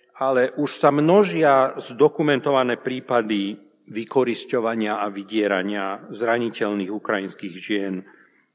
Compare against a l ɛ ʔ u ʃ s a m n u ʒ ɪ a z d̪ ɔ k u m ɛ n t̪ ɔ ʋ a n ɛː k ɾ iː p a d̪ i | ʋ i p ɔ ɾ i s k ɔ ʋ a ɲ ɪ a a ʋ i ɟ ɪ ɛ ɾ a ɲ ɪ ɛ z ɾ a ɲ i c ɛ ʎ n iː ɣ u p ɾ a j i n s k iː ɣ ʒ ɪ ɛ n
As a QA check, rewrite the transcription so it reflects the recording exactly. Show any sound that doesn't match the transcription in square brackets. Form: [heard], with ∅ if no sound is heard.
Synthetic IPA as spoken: a l ɛ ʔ u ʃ s a m n [ɔ] ʒ ɪ a z d̪ ɔ k u m ɛ n t̪ ɔ ʋ a n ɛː [p] ɾ iː p a d̪ i | ʋ i [k] ɔ ɾ i s [c] ɔ ʋ a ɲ ɪ a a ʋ i ɟ ɪ ɛ ɾ a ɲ ɪ [a] z ɾ a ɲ i c ɛ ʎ n iː ɣ u [k] ɾ a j i n s k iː ɣ ʒ ɪ ɛ n